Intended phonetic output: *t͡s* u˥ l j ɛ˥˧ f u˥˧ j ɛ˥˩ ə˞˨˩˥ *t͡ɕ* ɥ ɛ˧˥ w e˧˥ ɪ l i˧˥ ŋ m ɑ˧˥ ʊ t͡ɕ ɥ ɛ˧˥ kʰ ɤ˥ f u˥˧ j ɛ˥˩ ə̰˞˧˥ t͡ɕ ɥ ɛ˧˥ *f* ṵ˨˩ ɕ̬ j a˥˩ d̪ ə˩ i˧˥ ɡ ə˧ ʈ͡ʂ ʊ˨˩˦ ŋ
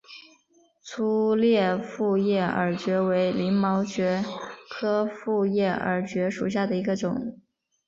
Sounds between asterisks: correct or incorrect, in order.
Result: incorrect: t͡sʰ, correct, incorrect: ʂ

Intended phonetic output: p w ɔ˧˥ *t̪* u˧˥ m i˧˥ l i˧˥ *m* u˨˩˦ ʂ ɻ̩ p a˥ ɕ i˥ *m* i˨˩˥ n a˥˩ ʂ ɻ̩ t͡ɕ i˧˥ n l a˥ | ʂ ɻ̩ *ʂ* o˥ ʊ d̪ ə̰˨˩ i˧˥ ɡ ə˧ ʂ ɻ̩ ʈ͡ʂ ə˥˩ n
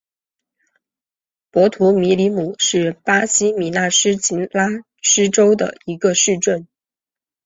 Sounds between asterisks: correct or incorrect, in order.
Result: incorrect: t̪ʰ, correct, correct, incorrect: ʈ͡ʂ

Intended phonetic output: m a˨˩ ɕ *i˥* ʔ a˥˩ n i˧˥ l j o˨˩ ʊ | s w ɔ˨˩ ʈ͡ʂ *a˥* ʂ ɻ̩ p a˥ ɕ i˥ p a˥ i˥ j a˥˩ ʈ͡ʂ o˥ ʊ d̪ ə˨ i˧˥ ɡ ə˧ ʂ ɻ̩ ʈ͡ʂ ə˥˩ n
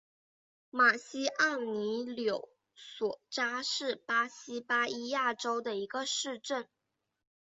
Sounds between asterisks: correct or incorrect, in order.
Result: correct, correct

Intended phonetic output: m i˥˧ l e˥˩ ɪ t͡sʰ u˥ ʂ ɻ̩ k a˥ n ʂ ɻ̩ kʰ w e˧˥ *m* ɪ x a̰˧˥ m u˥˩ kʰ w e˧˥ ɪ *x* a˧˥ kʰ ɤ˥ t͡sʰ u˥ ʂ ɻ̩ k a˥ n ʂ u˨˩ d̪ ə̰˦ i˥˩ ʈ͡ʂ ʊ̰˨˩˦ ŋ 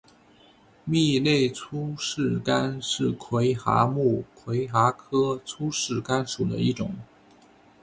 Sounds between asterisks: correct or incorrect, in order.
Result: incorrect: none, correct

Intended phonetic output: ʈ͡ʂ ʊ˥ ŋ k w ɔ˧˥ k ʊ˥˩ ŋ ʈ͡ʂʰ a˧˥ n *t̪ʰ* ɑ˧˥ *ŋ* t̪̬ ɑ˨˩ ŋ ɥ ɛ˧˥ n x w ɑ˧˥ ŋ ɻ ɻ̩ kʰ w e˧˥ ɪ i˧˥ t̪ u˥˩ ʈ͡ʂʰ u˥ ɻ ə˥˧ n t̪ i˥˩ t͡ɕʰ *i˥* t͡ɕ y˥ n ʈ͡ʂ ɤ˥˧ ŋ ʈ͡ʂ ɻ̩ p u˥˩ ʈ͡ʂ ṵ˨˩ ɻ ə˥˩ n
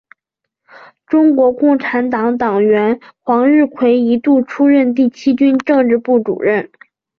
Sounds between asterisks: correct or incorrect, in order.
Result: incorrect: t̪, correct, correct

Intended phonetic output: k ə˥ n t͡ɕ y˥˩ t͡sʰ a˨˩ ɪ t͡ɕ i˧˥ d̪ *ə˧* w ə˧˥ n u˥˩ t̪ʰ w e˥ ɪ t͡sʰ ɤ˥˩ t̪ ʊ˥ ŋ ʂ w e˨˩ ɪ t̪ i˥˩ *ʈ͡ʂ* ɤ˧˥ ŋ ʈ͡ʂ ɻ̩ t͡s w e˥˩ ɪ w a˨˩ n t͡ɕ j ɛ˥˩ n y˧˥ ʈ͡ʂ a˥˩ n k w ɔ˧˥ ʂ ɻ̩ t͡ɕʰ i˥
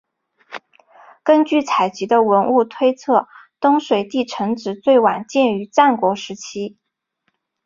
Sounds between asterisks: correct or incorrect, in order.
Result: correct, incorrect: ʈ͡ʂʰ

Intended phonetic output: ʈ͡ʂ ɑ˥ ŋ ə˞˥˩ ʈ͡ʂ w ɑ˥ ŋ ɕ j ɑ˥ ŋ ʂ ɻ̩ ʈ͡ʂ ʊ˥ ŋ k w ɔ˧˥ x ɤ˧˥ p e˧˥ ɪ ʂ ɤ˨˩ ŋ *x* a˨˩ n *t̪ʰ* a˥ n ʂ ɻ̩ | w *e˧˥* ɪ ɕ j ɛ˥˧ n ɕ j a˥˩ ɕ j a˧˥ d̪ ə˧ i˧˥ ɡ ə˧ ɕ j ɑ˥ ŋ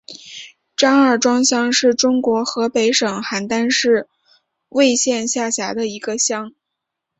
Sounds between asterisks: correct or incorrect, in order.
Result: correct, incorrect: t̪, incorrect: e˥˧

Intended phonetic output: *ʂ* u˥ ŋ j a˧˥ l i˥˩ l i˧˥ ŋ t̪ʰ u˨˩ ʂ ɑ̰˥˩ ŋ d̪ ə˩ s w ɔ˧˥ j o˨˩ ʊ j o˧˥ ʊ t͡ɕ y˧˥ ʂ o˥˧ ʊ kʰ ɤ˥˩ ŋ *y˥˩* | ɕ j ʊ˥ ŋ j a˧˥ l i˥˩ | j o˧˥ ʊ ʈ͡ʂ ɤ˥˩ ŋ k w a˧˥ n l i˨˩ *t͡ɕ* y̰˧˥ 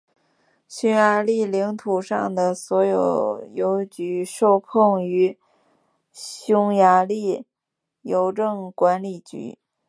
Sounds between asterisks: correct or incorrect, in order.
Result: incorrect: ɕ, incorrect: y˧˥, correct

